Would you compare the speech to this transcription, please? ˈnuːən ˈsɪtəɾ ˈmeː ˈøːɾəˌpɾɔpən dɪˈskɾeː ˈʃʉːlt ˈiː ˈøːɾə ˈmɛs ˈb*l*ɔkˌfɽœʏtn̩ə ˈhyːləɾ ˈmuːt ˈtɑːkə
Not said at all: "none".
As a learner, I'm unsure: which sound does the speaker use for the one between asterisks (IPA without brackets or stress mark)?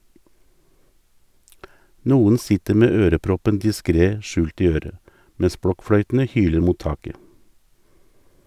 ɽ